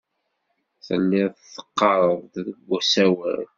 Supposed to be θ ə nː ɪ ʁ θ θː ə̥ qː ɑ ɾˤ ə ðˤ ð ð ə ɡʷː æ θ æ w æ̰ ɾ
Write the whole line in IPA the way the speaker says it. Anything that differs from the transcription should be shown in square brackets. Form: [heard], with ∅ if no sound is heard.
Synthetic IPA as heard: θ ə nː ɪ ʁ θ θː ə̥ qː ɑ ɾˤ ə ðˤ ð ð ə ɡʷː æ [s] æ w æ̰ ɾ